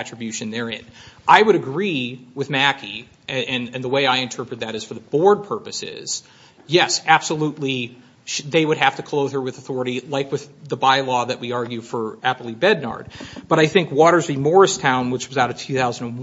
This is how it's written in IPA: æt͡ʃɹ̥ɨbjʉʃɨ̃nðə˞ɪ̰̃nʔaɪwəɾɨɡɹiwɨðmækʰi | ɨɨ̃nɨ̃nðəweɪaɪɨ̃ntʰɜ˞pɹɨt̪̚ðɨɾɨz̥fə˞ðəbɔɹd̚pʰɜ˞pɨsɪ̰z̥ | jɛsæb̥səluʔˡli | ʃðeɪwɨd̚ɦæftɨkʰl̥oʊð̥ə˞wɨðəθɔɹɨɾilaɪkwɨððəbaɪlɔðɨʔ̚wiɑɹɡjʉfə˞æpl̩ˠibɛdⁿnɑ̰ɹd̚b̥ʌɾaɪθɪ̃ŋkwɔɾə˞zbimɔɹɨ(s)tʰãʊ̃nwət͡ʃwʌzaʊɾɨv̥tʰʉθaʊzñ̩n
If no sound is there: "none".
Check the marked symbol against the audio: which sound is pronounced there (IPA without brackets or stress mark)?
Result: s